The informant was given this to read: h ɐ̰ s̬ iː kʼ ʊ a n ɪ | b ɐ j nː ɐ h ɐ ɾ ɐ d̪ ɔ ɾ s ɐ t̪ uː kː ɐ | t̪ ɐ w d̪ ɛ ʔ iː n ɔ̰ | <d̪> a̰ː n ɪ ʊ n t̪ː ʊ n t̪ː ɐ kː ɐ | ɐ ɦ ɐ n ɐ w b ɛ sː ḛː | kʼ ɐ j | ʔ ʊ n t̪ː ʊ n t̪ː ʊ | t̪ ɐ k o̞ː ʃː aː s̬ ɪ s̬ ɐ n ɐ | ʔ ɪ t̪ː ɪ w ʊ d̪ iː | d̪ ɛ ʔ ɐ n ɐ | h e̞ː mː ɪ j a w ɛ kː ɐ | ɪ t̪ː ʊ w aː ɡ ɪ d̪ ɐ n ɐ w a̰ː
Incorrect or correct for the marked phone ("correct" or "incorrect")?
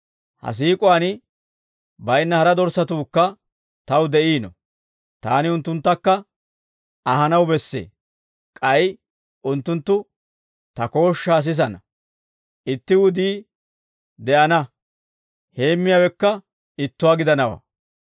incorrect